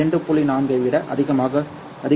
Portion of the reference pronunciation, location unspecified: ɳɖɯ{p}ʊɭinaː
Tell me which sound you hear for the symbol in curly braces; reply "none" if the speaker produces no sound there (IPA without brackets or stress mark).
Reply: p